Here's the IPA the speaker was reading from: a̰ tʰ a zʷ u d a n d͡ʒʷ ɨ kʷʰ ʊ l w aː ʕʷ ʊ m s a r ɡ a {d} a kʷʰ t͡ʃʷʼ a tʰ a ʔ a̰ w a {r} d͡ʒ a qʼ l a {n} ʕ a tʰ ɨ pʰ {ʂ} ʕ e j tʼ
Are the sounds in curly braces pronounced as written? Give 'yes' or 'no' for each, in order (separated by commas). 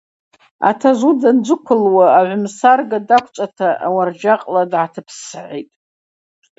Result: yes, yes, no, no